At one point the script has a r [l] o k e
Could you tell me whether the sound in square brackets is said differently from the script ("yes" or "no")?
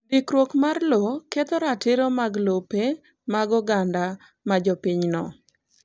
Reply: no